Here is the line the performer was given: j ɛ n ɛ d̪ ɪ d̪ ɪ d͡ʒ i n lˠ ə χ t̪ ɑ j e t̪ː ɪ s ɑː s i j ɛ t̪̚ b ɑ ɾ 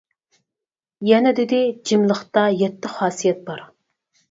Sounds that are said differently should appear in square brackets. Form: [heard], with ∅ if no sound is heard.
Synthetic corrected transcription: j ɛ n ɛ d̪ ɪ d̪ ɪ d͡ʒ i [m] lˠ ə χ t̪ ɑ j [ɛ] t̪ː ɪ [χ] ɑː s i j ɛ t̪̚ b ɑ ɾ